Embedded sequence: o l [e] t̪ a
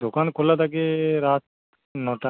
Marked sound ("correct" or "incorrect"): incorrect